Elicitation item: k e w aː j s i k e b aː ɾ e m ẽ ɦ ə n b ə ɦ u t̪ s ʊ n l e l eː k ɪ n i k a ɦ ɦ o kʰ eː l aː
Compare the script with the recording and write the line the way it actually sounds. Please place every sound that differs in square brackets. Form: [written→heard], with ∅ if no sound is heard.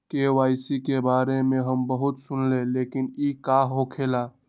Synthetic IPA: k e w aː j s i k e b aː ɾ e m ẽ ɦ ə [n→m] b ə ɦ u t̪ s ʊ n l e l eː k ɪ n i k a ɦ ɦ o kʰ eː l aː